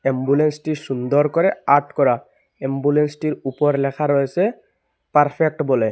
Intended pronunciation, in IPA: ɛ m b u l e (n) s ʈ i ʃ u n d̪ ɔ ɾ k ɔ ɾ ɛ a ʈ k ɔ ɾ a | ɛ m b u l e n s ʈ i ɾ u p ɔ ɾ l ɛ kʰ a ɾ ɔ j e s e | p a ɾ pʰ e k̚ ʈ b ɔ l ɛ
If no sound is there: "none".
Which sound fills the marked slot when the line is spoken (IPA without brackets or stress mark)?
n